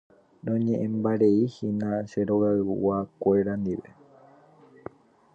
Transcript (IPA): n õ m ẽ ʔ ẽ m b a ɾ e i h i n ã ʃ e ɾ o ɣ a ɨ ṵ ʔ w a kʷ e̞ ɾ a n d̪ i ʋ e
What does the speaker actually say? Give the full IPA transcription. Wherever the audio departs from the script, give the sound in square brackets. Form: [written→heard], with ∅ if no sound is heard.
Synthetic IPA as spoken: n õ [m→ɲ] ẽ ʔ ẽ m b a ɾ e i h i n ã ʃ e ɾ o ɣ a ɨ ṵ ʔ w a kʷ e̞ ɾ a n d̪ i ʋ e